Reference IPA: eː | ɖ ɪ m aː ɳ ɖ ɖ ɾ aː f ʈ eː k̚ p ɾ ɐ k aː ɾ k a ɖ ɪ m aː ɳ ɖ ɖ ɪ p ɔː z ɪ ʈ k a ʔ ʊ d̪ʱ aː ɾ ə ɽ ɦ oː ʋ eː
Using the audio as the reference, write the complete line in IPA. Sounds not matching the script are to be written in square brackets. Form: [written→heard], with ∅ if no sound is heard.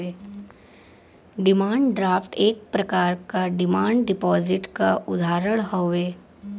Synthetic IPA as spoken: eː | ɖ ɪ m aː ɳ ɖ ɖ ɾ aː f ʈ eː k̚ p ɾ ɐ k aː ɾ k a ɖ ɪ m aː ɳ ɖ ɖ ɪ p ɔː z ɪ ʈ k a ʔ ʊ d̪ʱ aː ɾ ə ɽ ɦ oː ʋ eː